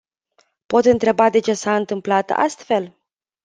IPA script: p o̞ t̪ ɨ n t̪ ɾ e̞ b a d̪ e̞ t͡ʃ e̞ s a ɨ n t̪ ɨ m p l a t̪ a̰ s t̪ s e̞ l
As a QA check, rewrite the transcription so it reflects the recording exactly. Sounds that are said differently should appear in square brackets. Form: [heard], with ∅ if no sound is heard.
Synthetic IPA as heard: p o̞ t̪ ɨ n t̪ ɾ e̞ b a d̪ e̞ t͡ʃ e̞ s a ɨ n t̪ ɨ m p l a t̪ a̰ s t̪ [f] e̞ l